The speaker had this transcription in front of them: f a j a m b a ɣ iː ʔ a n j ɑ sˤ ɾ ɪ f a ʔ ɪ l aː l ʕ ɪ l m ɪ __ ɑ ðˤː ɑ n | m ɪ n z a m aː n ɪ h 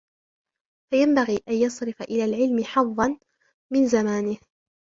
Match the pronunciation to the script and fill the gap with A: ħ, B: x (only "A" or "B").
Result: A